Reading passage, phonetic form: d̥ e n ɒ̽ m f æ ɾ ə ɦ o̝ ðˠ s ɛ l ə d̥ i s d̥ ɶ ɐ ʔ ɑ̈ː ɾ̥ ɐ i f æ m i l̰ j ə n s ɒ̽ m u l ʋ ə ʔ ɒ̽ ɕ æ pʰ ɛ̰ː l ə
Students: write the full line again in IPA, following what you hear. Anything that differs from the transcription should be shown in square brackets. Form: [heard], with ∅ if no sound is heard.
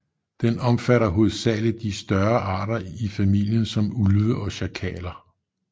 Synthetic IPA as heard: d̥ e n ɒ̽ m f æ ɾ [ɐ] ɦ o̝ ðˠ s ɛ l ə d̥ i s d̥ ɶ ɐ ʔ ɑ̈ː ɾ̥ ɐ i f æ m i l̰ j ə n s ɒ̽ m u l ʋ ə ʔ ɒ̽ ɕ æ [kʰ] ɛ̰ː l [ɐ]